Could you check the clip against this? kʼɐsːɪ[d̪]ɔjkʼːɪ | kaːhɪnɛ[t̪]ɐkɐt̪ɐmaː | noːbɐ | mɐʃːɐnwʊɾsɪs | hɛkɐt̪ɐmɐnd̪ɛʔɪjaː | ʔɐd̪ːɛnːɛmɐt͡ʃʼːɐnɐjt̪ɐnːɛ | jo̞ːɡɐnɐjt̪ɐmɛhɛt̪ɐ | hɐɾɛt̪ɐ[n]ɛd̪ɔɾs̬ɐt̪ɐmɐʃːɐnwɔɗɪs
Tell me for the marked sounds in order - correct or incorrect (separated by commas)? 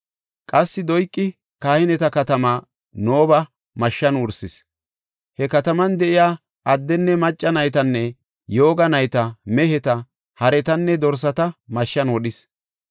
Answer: correct, correct, incorrect